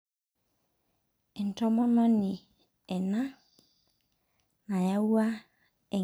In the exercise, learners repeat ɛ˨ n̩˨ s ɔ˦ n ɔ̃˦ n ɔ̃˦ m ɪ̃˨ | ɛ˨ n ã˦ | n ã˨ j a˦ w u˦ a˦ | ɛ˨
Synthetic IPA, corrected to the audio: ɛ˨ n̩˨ t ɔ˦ m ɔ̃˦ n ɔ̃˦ n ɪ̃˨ | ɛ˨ n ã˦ | n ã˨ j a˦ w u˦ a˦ | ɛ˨